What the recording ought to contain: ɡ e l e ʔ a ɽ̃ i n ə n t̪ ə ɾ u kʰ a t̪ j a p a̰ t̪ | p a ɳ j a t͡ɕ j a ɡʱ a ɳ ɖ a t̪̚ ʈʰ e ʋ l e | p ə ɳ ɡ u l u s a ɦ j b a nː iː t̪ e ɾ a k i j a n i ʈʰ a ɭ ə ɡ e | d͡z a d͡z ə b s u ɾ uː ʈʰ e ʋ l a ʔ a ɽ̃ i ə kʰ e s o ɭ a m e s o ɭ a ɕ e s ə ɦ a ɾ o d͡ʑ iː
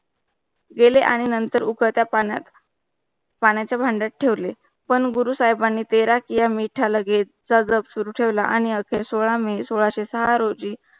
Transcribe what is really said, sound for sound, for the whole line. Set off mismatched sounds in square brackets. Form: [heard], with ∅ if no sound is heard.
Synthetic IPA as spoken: ɡ e l e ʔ a ɽ̃ i n ə n t̪ ə ɾ u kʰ [ə] t̪ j a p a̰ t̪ | p a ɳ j a t͡ɕ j a [bʱ] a ɳ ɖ a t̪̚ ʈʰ e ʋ l e | p ə ɳ ɡ u [ɾ] u s a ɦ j b a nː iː t̪ e ɾ a k i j a [m] i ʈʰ a [l] ə ɡ e | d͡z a d͡z ə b s u ɾ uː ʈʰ e ʋ l a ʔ a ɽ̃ i ə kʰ e s o ɭ a m e s o ɭ a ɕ e s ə ɦ a ɾ o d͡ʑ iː